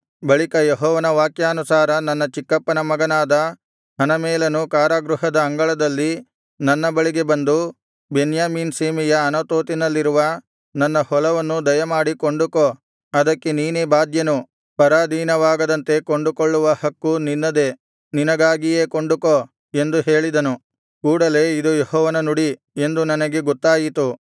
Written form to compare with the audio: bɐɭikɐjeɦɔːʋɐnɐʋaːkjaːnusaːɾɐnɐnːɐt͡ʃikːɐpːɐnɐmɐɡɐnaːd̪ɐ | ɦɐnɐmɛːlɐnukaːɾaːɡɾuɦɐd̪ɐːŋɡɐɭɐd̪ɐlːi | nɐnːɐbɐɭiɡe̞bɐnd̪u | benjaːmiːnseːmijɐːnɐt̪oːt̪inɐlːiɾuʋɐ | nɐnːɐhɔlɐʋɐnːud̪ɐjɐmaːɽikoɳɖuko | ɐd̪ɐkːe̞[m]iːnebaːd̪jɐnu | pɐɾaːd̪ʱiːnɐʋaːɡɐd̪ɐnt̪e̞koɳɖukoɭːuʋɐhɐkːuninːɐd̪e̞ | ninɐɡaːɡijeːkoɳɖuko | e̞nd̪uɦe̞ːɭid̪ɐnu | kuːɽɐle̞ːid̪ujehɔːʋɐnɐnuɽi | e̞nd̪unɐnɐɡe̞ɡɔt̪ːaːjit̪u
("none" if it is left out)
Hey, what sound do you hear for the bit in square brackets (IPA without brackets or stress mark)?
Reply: n